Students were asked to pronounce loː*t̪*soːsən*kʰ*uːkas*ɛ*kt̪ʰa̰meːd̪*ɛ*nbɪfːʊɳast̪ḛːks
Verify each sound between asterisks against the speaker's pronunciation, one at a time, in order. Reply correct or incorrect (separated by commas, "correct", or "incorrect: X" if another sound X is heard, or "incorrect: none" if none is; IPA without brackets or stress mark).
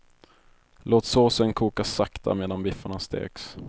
correct, correct, incorrect: a, incorrect: a